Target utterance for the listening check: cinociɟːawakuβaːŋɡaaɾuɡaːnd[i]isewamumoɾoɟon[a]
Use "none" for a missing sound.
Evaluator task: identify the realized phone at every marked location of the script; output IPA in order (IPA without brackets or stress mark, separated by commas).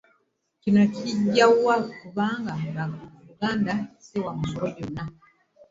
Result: a, a